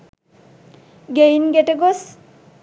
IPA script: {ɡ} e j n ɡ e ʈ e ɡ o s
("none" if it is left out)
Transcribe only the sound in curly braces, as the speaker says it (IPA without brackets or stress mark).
ɡ